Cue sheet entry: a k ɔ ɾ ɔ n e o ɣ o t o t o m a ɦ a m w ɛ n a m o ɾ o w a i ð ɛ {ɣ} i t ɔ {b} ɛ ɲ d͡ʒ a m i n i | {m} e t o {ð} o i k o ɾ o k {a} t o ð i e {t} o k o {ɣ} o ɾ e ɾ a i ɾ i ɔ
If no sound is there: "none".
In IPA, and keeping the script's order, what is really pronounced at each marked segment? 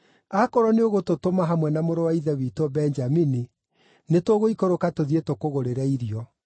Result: w, b, n, ɣ, a, t, ɣ

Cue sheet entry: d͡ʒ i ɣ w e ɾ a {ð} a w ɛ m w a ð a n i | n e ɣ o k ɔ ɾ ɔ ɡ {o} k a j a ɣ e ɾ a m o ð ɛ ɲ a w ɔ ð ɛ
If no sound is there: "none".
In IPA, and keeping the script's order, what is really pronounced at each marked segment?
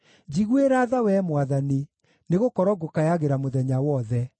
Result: ð, o

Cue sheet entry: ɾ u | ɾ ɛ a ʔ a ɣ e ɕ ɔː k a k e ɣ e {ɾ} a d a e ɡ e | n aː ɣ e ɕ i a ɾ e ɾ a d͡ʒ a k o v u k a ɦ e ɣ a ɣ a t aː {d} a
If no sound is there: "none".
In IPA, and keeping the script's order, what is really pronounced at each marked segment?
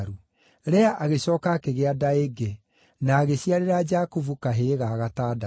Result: none, d

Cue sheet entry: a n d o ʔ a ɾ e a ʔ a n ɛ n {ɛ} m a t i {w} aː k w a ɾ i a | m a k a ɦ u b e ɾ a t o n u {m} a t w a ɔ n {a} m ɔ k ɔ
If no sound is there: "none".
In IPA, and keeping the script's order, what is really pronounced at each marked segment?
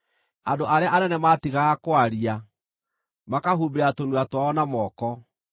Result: ɛ, ɣ, none, a

